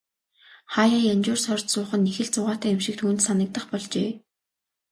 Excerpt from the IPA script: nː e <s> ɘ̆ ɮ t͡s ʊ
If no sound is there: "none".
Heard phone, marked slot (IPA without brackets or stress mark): x